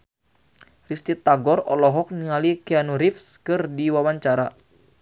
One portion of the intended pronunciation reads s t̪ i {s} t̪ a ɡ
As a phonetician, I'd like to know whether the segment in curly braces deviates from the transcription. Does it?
yes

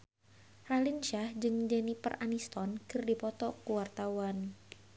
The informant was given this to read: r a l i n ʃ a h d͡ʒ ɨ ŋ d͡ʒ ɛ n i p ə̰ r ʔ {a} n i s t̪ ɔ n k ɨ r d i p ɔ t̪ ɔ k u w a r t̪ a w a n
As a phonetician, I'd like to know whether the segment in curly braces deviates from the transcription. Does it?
no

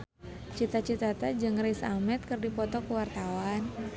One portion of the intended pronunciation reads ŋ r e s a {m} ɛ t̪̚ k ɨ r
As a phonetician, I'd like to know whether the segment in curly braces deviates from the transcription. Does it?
no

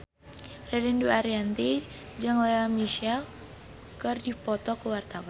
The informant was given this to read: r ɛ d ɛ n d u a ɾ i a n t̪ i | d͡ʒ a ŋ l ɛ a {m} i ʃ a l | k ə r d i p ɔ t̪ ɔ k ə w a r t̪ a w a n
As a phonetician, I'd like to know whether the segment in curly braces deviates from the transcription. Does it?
no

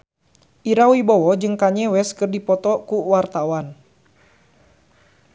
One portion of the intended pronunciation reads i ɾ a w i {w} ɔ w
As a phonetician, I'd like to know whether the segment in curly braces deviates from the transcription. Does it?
yes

